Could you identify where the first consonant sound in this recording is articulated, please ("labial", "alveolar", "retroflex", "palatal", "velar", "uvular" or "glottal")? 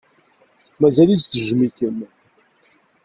labial